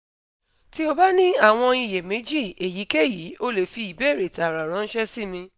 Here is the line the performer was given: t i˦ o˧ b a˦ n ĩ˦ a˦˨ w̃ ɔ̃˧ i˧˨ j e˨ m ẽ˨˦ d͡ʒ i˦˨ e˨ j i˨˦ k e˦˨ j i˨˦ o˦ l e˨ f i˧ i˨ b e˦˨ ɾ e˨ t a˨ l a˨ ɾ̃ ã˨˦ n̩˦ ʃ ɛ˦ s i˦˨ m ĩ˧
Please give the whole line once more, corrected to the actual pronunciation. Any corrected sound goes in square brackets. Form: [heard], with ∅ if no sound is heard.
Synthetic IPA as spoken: t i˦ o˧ b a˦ n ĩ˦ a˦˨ w̃ ɔ̃˧ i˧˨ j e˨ m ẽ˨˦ d͡ʒ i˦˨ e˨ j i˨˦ k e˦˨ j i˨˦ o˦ l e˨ f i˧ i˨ b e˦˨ ɾ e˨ t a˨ [ɾ] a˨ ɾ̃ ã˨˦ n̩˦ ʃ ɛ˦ s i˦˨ m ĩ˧